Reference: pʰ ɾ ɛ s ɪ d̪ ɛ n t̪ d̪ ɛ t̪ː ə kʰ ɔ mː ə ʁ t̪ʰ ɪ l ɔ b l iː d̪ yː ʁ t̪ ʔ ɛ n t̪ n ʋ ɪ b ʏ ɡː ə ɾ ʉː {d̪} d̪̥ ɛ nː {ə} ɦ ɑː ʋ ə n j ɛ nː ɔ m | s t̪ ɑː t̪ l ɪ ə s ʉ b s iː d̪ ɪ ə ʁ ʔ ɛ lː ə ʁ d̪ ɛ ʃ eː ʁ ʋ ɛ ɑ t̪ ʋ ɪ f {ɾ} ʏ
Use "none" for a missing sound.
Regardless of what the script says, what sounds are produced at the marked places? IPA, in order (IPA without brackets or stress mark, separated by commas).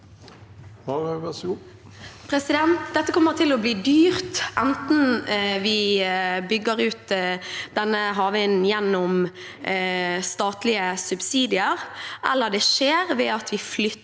t̪, ə, l